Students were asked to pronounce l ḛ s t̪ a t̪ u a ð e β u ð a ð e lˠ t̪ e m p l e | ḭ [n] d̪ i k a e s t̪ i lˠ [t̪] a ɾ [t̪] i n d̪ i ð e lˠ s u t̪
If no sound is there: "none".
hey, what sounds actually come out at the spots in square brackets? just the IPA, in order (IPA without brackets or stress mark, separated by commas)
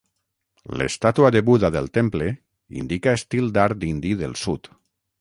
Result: n, d̪, d̪